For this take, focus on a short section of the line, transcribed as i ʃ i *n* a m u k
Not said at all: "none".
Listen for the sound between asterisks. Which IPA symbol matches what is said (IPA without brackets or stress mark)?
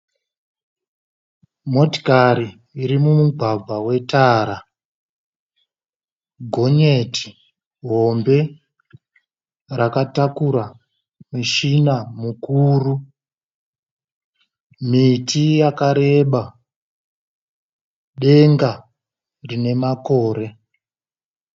n